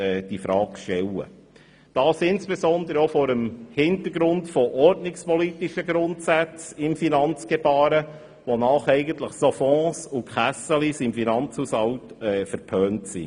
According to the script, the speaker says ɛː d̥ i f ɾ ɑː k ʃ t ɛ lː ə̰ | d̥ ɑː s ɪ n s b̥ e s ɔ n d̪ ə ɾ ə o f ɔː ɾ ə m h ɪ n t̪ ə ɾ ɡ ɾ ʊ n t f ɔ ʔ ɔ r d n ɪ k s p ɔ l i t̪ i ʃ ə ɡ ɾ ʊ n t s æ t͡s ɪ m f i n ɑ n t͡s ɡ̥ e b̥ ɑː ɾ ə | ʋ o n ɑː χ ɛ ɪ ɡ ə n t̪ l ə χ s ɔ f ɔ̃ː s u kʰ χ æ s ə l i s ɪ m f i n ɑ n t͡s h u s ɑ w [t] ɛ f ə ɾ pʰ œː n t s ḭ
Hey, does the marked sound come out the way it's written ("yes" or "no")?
yes